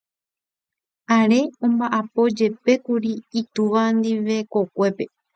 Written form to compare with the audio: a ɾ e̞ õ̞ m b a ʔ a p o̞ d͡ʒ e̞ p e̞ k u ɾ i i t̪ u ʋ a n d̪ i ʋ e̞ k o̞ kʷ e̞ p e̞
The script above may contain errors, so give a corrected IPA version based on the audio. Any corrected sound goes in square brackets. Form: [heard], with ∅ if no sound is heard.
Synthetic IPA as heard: a ɾ e̞ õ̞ m b a ʔ a p o̞ d͡ʒ e̞ p e̞ k u ɾ i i t̪ u ʋ a n d̪ i ʋ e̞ k o̞ kʷ e̞ p e̞